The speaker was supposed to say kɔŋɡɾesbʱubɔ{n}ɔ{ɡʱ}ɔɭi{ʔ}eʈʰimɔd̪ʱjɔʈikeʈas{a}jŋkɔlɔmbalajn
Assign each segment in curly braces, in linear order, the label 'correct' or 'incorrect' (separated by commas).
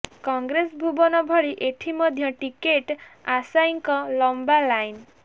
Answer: correct, incorrect, correct, correct